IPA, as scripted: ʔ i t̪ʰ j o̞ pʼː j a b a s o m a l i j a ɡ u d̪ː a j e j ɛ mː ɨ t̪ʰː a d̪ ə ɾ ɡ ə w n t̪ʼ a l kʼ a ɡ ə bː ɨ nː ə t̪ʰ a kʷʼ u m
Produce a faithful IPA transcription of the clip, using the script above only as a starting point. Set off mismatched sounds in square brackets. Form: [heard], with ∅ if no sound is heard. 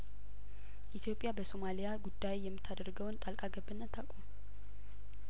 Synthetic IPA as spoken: ʔ i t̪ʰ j o̞ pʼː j a b [ə] s o m a l i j a ɡ u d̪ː a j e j ɛ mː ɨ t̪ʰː a d̪ ə ɾ ɡ ə w n t̪ʼ a l kʼ a ɡ ə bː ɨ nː ə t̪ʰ a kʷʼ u m

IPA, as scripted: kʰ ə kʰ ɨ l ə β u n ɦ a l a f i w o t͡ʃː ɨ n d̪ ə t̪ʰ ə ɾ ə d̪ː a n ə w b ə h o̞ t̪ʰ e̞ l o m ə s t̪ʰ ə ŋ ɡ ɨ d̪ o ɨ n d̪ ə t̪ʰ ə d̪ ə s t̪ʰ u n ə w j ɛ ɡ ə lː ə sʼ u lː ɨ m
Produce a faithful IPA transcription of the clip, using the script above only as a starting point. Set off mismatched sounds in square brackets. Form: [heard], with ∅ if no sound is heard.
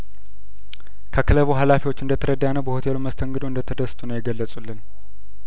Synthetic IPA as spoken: kʰ ə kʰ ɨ l ə β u [∅] ɦ a l a f i w o t͡ʃː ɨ n d̪ ə t̪ʰ ə ɾ ə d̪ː a n ə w b ə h o̞ t̪ʰ e̞ l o m ə s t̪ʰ ə ŋ ɡ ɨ d̪ o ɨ n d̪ ə t̪ʰ ə d̪ ə s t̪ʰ u n ə w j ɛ ɡ ə lː ə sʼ u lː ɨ [n]

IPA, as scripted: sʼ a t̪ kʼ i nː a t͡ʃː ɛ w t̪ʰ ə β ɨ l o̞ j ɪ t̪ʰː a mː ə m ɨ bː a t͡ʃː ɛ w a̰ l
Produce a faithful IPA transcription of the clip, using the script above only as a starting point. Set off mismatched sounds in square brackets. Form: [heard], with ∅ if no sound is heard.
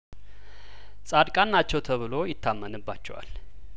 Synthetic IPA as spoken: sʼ a [d̪] kʼ [a] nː a t͡ʃː ɛ w t̪ʰ ə β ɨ l o̞ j ɪ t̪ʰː a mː ə [n] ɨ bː a t͡ʃː ɛ w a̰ l

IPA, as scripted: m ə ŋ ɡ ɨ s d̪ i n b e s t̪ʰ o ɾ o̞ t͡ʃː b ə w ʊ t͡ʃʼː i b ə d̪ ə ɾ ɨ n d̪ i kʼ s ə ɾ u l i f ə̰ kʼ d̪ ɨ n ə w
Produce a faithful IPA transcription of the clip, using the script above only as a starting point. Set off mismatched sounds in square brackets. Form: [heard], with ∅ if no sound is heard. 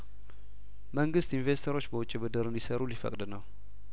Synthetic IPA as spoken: m ə ŋ ɡ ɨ s [t̪] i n [v] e s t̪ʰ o ɾ o̞ t͡ʃː b ə w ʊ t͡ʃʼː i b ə d̪ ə ɾ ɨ n d̪ i [∅] s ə ɾ u l i f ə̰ kʼ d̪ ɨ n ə w

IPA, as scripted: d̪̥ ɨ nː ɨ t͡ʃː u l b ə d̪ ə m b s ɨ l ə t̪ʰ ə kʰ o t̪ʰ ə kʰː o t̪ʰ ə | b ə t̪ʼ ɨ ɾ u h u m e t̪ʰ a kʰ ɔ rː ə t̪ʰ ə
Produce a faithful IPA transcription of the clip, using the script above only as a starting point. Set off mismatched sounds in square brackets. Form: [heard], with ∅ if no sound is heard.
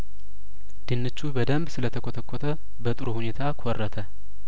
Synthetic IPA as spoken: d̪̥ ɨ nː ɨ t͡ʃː u [∅] b ə d̪ ə m b s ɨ l ə t̪ʰ ə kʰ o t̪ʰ ə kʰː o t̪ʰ ə | b ə t̪ʼ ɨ ɾ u h u [n] e t̪ʰ a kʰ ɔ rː ə t̪ʰ ə

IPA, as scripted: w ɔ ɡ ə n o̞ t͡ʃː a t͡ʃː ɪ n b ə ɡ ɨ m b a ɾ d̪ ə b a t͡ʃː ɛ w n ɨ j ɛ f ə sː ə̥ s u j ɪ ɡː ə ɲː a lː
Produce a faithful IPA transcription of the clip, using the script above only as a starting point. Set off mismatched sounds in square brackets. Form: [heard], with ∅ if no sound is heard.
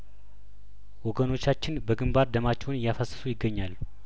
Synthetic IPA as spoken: w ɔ ɡ ə n o̞ t͡ʃː a t͡ʃː ɪ n b ə ɡ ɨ m b a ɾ d̪ ə [m] a t͡ʃː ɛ w n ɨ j [a] f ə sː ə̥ s u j ɪ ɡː ə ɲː a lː

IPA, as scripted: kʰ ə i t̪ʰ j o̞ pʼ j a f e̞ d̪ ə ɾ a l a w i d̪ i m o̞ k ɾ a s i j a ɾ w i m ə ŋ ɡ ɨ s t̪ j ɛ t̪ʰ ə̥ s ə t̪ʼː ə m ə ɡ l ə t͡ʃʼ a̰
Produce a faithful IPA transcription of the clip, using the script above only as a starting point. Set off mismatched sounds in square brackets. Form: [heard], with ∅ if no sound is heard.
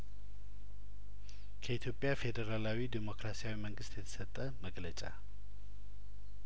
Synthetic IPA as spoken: kʰ ə i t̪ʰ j o̞ pʼ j a f e̞ d̪ ə ɾ a l a w i d̪ i m o̞ k ɾ a s i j a [∅] w i m ə ŋ ɡ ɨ s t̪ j ɛ t̪ʰ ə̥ s ə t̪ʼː ə m ə ɡ l ə t͡ʃʼ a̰

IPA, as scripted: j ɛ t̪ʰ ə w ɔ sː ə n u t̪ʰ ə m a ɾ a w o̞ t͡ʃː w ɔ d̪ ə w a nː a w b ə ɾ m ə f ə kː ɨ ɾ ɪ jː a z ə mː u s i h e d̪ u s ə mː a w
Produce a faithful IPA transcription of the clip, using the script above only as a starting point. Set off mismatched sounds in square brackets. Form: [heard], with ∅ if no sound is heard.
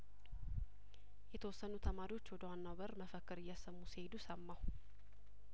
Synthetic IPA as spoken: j ɛ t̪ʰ ə w ɔ sː ə n u t̪ʰ ə m a ɾ [i] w o̞ t͡ʃː w ɔ d̪ ə w a nː a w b ə ɾ m ə f ə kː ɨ ɾ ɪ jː a [s] ə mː u s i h e d̪ u s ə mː a w

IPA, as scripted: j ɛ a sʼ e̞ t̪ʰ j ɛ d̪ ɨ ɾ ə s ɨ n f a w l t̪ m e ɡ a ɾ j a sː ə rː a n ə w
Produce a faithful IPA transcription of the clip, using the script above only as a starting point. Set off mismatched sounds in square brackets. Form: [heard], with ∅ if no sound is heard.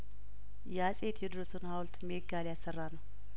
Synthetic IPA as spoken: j ɛ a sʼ e̞ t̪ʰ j ɛ d̪ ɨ ɾ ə s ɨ n [h] a w l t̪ m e ɡ a [l] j a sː ə rː a n ə w

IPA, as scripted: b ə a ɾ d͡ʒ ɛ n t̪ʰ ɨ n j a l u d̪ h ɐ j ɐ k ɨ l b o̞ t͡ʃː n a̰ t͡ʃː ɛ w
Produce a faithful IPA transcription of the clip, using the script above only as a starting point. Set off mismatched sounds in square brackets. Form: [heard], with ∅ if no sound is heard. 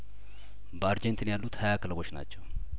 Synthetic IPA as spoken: b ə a ɾ d͡ʒ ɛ n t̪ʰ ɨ n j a [lː] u [t̪] h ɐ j [a] k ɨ l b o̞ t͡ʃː n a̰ t͡ʃː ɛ w

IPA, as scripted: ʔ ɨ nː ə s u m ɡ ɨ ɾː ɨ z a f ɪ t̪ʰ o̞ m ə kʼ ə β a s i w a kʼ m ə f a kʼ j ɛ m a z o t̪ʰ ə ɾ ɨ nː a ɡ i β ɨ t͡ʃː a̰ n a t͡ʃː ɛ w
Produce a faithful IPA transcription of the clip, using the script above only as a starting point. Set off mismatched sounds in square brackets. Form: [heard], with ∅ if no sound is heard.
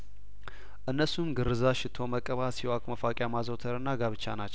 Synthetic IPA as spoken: ʔ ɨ nː ə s u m ɡ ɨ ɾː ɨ z a [ʃ] ɪ t̪ʰ o̞ m ə kʼ ə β a s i w a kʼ m ə f a kʼ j [a] m a z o t̪ʰ ə ɾ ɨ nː a ɡ [a] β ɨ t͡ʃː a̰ n a t͡ʃː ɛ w

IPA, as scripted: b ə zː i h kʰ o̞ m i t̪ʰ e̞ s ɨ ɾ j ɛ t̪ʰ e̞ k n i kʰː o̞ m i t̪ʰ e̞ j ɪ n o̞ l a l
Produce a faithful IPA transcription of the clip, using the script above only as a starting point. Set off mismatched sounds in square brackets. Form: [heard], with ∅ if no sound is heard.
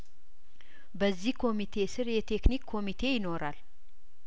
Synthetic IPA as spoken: b ə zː i h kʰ o̞ m i t̪ʰ e̞ s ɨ ɾ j ɛ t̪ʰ e̞ k n i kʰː o̞ m i t̪ʰ e̞ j ɪ n o̞ [ɾ] a l

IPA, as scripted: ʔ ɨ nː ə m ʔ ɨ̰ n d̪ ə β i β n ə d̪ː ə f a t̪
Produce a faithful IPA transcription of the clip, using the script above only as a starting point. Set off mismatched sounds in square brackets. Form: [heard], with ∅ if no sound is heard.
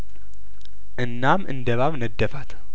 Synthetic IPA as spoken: ʔ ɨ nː [a] m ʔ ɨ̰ n d̪ ə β [a] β n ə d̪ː ə f a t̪

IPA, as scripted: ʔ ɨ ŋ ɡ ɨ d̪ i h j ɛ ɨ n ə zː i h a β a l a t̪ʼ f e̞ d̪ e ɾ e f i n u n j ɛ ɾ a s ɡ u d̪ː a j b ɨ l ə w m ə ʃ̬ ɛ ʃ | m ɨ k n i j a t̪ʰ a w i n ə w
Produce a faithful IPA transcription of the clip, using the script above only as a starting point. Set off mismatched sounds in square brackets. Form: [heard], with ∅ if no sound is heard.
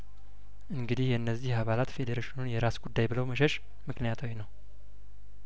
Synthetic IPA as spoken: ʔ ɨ ŋ ɡ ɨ d̪ i h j ɛ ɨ [nː] ə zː i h a β a l a [t̪] f e̞ d̪ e ɾ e [ʃ] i n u n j ɛ ɾ a s ɡ u d̪ː a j b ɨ l ə w m ə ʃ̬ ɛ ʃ | m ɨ k n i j a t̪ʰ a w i n ə w

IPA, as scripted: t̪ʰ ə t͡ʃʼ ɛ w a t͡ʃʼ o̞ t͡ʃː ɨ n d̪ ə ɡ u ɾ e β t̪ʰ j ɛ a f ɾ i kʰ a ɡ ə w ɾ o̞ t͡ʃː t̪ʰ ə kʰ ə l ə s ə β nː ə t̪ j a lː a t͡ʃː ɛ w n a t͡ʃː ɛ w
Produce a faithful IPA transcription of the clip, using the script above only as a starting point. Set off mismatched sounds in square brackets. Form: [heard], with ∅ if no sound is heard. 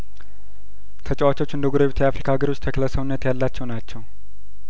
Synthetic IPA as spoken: t̪ʰ ə t͡ʃʼ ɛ w a [t͡ʃ] o̞ t͡ʃː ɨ n d̪ ə ɡ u ɾ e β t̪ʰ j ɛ a f ɾ i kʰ a ɡ ə [∅] ɾ o̞ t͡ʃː t̪ʰ ə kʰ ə l ə s ə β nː ə t̪ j a lː a t͡ʃː ɛ w n a t͡ʃː ɛ w

